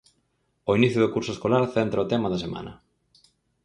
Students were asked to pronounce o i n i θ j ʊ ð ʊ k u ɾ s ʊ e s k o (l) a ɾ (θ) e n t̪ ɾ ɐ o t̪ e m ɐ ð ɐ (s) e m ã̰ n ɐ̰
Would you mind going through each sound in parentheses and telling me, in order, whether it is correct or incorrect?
correct, correct, correct

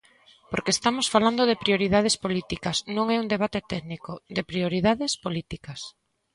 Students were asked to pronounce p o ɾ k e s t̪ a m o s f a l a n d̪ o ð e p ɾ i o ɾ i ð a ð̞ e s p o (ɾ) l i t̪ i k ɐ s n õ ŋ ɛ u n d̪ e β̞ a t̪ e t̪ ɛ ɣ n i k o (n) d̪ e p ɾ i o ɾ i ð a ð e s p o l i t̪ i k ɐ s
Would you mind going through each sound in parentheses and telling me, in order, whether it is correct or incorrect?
incorrect, incorrect

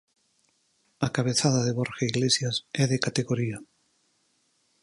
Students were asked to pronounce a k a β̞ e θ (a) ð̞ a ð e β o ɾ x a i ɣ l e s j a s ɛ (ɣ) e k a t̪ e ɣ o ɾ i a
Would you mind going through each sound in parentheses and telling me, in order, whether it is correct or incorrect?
correct, incorrect

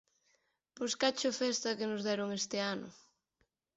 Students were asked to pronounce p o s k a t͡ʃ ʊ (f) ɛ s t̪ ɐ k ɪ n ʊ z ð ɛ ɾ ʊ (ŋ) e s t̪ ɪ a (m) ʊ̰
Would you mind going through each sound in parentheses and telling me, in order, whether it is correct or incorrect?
correct, correct, incorrect

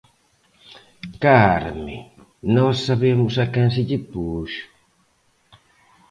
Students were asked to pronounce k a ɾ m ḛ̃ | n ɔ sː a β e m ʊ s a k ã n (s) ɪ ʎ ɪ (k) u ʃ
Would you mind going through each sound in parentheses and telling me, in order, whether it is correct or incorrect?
correct, incorrect

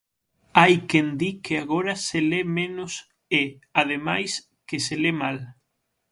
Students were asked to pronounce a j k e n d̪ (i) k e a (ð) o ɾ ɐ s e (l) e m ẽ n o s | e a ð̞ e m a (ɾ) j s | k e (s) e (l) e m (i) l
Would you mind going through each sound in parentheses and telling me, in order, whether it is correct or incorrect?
correct, incorrect, correct, incorrect, correct, correct, incorrect

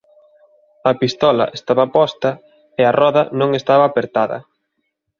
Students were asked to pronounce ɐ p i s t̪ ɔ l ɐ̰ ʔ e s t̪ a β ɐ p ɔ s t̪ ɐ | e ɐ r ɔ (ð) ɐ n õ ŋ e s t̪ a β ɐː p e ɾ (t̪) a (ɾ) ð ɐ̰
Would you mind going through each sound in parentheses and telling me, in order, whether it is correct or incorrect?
correct, correct, incorrect

